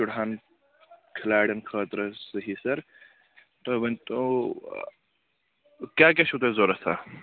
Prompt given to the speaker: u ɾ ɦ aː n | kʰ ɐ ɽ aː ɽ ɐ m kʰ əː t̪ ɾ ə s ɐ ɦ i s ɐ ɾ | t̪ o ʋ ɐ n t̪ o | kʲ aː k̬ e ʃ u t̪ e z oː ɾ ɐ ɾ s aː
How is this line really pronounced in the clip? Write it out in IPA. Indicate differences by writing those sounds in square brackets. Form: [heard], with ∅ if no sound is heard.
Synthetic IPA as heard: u [ɽ] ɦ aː n | kʰ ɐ [l] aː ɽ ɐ [n] kʰ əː t̪ ɾ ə s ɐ ɦ i s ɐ ɾ | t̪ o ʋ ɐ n t̪ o | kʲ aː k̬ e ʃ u t̪ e z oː ɾ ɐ [∅] s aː